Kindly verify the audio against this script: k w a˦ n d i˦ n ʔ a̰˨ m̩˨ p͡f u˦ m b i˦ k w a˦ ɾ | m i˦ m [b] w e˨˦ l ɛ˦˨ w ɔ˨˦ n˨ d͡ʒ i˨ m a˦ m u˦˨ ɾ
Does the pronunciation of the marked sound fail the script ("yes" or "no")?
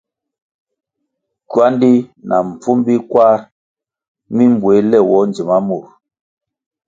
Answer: no